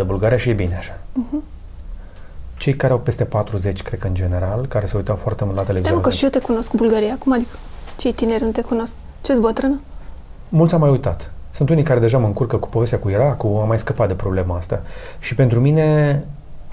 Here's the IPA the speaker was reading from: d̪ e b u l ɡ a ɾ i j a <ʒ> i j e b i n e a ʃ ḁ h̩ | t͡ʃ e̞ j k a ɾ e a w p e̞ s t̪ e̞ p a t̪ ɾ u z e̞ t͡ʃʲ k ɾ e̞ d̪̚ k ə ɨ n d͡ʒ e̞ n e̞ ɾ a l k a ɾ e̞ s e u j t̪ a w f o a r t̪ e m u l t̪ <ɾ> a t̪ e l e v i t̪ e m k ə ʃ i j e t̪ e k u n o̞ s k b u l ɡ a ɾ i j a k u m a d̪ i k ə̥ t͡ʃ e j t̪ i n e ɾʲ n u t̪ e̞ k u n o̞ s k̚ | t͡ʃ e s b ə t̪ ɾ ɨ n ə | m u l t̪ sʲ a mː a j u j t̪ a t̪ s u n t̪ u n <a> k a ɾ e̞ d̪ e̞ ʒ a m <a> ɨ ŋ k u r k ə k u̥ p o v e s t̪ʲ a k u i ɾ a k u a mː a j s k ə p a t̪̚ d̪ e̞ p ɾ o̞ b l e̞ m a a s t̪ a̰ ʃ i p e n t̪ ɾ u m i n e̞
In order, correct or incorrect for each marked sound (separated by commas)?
incorrect, incorrect, incorrect, incorrect